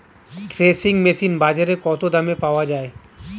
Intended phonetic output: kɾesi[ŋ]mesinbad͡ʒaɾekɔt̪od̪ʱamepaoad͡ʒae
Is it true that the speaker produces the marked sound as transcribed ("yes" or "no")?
yes